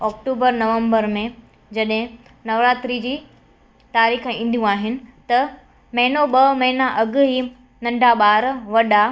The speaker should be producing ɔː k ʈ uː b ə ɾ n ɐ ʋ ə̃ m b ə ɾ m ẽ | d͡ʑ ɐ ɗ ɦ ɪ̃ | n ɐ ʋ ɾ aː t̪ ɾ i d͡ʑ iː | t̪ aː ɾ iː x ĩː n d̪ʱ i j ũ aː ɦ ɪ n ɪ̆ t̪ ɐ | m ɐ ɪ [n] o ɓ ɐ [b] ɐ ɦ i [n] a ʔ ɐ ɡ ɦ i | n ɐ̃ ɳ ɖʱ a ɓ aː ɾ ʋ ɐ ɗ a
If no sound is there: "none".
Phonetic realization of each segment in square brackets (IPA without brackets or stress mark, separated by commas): n, m, n